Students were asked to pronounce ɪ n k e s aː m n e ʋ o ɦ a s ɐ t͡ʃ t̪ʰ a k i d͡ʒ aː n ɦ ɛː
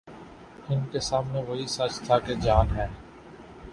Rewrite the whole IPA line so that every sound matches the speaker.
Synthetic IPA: ɪ n k e s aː m n e ʋ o ɦ i s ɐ t͡ʃ t̪ʰ a k e d͡ʒ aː n ɦ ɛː